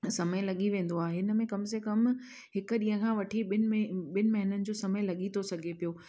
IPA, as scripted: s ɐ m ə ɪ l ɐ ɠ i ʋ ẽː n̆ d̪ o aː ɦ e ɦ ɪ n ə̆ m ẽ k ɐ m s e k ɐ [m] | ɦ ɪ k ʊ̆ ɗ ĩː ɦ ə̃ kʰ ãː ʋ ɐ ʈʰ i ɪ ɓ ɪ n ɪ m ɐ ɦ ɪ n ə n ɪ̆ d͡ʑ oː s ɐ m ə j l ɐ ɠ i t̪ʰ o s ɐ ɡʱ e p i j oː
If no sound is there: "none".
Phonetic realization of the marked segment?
m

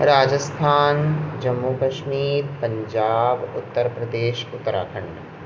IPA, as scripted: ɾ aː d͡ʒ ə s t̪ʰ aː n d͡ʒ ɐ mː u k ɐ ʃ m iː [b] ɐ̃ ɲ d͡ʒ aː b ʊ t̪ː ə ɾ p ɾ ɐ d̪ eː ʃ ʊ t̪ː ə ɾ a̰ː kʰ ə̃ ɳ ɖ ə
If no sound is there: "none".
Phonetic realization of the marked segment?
p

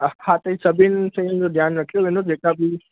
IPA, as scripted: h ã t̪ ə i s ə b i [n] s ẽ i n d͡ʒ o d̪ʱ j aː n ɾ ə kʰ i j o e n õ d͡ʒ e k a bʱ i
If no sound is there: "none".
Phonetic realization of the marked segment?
n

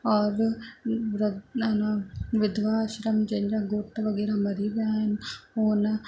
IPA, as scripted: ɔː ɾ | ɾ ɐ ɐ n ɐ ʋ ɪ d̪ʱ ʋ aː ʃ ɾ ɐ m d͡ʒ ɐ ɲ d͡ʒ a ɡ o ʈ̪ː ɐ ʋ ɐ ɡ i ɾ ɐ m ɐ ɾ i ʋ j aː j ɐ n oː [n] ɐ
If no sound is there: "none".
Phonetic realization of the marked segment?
n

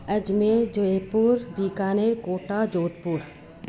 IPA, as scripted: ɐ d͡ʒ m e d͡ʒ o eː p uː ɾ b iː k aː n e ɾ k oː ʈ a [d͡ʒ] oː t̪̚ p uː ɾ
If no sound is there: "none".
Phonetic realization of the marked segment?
d͡ʒ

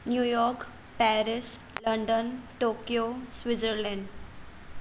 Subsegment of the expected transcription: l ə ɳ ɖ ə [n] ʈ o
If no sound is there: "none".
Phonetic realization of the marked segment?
n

